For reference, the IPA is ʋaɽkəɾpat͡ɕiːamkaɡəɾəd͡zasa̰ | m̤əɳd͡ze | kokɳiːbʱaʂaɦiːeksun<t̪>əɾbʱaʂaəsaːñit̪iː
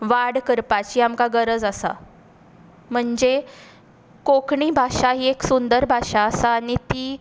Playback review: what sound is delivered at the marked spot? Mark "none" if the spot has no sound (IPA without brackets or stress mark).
d̪